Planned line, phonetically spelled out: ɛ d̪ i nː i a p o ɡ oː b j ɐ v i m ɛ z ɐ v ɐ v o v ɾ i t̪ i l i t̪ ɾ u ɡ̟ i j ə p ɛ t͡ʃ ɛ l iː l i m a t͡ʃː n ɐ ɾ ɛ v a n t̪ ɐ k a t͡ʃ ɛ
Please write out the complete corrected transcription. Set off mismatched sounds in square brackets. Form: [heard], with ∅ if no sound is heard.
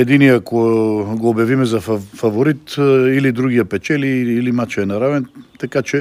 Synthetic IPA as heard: ɛ d̪ i [n] i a [k] o ɡ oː b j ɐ v i m ɛ z ɐ [f] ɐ v o [∅] ɾ i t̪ i l i [d̪] ɾ u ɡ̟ i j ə p ɛ t͡ʃ ɛ l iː l i m a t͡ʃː n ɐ ɾ [a] v [ɛ] n t̪ ɐ k a t͡ʃ ɛ